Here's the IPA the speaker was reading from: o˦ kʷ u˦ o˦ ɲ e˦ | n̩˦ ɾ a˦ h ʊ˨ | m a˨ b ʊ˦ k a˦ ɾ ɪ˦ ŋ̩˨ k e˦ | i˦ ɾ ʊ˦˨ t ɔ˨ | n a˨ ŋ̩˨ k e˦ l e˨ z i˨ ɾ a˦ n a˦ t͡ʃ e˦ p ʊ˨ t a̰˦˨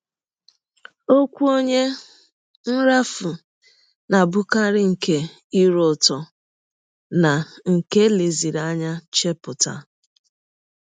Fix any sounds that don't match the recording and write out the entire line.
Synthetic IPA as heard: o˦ kʷ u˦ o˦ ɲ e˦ | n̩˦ ɾ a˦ f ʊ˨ | n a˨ b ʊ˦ k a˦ ɾ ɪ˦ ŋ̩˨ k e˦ | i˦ ɾ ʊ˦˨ t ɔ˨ | n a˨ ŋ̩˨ k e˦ l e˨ z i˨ ɾ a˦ ɲ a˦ t͡ʃ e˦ p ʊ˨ t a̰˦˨

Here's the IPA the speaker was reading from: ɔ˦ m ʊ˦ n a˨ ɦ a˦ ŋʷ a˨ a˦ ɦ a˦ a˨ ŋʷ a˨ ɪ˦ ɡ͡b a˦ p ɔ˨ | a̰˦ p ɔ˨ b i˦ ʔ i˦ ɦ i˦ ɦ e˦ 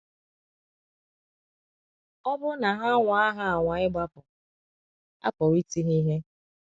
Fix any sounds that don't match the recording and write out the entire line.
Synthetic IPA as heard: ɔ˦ b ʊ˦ n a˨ ɦ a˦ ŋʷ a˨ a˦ ɦ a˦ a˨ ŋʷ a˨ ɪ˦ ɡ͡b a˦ p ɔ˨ | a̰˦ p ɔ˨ w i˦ t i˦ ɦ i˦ ɦ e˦

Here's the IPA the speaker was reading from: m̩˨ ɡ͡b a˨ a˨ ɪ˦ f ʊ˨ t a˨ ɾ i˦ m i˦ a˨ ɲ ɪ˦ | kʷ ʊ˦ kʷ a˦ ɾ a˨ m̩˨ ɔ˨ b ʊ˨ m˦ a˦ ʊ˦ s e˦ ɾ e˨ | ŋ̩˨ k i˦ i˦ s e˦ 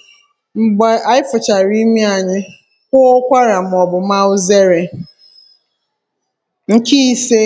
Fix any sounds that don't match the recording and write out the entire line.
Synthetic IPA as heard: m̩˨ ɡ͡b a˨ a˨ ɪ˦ f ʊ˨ t͡ʃ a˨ ɾ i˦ m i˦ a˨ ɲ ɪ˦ | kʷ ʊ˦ kʷ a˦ ɾ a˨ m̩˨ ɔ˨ b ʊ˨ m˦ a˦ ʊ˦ z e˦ ɾ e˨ | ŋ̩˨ k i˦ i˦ s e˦

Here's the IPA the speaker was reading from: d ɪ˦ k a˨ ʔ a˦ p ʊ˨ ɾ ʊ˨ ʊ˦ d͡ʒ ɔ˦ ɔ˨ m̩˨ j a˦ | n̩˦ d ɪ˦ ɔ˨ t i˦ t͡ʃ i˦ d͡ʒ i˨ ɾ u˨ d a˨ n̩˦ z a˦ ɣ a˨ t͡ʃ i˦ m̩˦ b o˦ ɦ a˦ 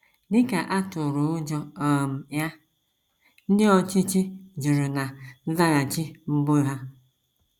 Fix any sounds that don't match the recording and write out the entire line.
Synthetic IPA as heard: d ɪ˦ k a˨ ʔ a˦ t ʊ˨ ɾ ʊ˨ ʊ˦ d͡ʒ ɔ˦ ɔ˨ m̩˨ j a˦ | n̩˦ d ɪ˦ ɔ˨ t͡ʃ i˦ t͡ʃ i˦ d͡ʒ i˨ ɾ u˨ n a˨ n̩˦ z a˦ ɣ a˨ t͡ʃ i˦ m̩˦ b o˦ ɦ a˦

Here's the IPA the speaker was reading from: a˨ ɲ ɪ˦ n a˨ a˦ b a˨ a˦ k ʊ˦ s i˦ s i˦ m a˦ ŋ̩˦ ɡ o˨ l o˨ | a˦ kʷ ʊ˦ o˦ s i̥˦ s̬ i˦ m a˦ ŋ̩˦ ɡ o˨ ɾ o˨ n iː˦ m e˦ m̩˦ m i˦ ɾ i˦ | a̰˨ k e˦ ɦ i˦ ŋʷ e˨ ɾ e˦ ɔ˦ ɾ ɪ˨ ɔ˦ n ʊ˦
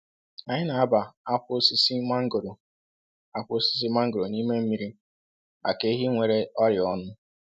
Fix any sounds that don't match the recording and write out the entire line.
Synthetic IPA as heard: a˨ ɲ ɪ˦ n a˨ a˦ b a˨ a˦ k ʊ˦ s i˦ s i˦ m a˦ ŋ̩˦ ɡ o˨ ɾ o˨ | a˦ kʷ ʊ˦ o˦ s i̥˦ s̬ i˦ m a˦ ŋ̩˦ ɡ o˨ ɾ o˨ n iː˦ m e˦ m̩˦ m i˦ ɾ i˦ | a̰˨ k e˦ ɦ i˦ ŋʷ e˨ ɾ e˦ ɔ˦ ɾ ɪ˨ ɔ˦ n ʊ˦

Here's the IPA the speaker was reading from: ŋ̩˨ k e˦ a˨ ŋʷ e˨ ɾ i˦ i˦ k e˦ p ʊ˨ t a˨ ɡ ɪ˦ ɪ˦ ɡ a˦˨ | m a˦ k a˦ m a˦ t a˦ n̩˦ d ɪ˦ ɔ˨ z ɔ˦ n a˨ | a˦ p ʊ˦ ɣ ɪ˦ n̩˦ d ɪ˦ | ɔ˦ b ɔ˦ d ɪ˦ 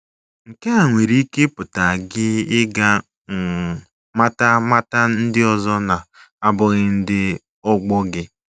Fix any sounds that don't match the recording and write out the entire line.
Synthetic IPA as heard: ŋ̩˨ k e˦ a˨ ŋʷ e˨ ɾ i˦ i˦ k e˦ p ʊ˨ t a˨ ɡ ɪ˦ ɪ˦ ɡ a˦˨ | m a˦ t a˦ m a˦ t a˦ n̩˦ d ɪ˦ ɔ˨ z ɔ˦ n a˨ | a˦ b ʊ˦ ɣ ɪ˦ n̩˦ d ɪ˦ | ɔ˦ ɡ͡b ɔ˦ ɡ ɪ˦

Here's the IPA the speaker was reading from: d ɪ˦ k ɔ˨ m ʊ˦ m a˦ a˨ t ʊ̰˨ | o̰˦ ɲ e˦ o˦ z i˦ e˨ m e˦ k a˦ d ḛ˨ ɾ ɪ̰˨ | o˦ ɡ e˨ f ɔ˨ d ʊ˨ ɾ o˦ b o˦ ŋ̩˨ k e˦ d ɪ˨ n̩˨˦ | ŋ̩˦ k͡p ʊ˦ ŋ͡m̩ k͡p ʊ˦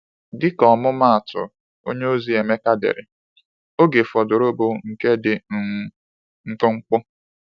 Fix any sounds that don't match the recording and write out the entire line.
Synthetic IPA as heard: d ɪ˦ k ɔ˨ m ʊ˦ m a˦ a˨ t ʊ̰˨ | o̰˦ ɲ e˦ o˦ z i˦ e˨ m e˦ k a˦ d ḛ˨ ɾ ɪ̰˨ | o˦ ɡ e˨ f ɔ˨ d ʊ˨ ɾ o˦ b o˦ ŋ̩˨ k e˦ d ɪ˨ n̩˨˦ | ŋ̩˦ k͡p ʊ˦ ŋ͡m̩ k͡p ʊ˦

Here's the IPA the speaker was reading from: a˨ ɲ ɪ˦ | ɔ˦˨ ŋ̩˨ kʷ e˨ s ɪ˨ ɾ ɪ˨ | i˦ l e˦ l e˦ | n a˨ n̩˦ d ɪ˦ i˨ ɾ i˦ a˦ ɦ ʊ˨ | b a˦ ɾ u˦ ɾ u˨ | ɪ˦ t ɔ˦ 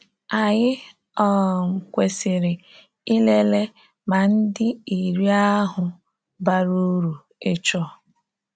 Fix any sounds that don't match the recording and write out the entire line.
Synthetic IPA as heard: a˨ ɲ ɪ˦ | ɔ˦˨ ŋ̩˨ kʷ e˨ s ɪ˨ ɾ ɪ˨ | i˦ l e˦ l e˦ | m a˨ n̩˦ d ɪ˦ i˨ ɾ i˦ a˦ ɦ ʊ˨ | b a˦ ɾ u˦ ɾ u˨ | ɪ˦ t͡ʃ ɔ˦

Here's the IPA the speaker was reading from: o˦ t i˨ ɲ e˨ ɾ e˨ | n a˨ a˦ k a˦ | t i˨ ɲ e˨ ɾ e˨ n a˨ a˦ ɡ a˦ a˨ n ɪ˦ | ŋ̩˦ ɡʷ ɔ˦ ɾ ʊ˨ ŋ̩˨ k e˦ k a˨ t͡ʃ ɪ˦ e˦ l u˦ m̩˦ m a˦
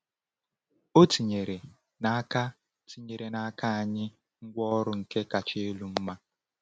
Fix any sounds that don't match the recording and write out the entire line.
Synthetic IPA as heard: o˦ t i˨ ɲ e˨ ɾ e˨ | n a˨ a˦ k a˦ | t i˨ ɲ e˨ ɾ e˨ n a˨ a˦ k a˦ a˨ ɲ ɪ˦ | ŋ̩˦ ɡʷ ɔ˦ ɾ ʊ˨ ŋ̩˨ k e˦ k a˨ t͡ʃ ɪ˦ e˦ l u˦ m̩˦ m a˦

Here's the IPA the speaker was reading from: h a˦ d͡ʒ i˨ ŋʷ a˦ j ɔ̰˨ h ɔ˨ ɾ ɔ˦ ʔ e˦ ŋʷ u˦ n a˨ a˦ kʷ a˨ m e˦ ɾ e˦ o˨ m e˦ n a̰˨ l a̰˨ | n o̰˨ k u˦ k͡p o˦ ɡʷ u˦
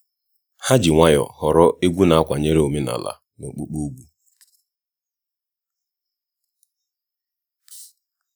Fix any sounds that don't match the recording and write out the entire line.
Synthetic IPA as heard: h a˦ d͡ʒ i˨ ŋʷ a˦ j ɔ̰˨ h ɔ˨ ɾ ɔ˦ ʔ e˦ ɡʷ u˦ n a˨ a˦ kʷ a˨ ɲ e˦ ɾ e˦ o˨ m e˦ n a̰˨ l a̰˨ | n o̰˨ k͡p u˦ k͡p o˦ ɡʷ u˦

